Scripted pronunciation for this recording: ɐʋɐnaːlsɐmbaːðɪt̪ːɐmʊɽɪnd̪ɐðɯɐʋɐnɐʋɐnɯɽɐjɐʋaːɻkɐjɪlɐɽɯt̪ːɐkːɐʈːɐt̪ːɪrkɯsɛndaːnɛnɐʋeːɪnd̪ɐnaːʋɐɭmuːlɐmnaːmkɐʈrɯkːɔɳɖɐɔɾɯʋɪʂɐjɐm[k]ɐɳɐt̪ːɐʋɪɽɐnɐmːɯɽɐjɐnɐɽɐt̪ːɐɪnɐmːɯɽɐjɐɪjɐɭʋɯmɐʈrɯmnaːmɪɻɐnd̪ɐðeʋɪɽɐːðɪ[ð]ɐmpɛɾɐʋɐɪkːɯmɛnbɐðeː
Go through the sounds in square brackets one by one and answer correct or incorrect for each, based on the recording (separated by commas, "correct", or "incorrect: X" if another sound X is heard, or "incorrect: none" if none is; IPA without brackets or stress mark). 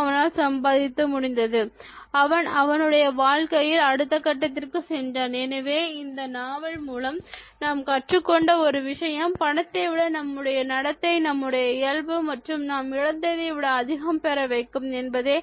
incorrect: p, incorrect: ɣ